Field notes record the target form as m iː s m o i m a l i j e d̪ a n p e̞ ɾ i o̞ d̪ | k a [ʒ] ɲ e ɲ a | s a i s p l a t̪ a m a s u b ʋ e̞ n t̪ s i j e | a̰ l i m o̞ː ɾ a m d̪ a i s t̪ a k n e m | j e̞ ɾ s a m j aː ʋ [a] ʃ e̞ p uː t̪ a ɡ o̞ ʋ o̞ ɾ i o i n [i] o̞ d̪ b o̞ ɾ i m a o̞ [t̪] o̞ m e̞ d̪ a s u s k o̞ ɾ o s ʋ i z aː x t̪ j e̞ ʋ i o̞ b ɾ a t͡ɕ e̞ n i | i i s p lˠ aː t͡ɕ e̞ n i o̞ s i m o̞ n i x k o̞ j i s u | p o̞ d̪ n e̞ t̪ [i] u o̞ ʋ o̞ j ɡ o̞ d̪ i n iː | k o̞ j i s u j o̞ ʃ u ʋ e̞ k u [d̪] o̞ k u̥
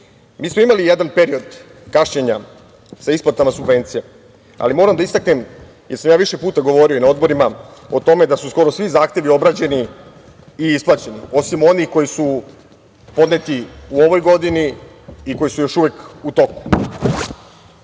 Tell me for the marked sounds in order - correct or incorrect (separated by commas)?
incorrect, incorrect, incorrect, correct, correct, incorrect